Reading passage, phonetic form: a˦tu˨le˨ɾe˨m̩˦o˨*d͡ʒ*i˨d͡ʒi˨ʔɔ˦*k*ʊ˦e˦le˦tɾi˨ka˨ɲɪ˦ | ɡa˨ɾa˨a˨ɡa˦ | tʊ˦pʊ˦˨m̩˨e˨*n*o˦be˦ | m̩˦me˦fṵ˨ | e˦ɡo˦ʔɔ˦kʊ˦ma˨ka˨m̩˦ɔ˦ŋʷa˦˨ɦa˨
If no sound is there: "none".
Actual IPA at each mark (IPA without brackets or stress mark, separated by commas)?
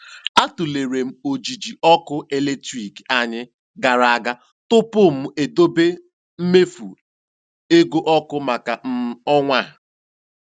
d͡ʒ, k, d